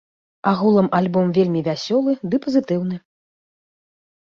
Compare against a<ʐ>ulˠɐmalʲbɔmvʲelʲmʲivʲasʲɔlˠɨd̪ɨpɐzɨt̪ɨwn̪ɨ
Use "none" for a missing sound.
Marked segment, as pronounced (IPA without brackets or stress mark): ɣ